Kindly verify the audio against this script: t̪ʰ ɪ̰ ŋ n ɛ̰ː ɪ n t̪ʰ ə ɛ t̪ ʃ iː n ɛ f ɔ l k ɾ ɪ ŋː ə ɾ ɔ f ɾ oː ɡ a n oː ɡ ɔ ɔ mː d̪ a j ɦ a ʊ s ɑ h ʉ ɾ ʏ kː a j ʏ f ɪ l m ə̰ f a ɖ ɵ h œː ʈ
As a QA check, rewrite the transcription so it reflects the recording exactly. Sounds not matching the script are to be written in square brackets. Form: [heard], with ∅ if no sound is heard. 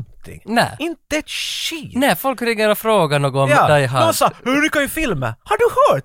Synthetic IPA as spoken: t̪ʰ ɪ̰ ŋ n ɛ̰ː ɪ n [t̪] ə ɛ t̪ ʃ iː n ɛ f ɔ l k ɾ ɪ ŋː ə ɾ ɔ f ɾ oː ɡ a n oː ɡ ɔ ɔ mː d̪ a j ɦ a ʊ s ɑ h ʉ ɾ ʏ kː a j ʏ f ɪ l m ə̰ [h] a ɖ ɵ h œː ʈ